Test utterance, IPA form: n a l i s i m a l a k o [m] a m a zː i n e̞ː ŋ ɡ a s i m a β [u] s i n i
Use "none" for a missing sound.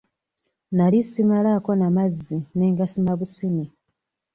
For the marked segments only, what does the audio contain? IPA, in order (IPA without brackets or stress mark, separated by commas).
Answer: n, u